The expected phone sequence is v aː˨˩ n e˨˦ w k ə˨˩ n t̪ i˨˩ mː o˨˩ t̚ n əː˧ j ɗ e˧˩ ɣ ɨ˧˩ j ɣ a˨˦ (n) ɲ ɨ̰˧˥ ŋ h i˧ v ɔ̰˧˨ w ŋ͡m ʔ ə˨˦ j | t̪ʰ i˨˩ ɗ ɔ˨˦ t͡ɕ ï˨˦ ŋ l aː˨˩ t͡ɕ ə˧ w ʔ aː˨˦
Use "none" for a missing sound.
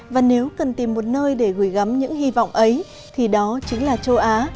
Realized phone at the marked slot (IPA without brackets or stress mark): m